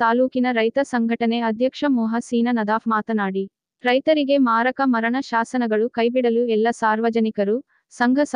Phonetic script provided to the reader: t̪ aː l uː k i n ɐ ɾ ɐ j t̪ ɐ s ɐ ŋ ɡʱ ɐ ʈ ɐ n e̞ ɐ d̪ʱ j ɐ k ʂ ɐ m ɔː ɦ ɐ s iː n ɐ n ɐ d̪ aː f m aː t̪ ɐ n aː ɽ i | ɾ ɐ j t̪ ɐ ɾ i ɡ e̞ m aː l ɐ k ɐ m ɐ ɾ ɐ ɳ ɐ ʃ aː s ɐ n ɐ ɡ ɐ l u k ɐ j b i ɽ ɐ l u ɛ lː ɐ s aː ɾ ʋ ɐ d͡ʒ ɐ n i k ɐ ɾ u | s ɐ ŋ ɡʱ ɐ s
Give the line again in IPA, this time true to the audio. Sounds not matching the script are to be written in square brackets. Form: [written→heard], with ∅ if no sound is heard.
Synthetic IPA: t̪ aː l uː k i n ɐ ɾ ɐ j t̪ ɐ s ɐ ŋ ɡʱ ɐ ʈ ɐ n e̞ ɐ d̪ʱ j ɐ k ʂ ɐ m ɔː ɦ ɐ s iː n ɐ n ɐ d̪ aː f m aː t̪ ɐ n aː ɽ i | ɾ ɐ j t̪ ɐ ɾ i ɡ e̞ m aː [l→ɾ] ɐ k ɐ m ɐ ɾ ɐ ɳ ɐ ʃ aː s ɐ n ɐ ɡ ɐ [l→ɭ] u k ɐ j b i ɽ ɐ l u ɛ lː ɐ s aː ɾ ʋ ɐ d͡ʒ ɐ n i k ɐ ɾ u | s ɐ ŋ ɡʱ ɐ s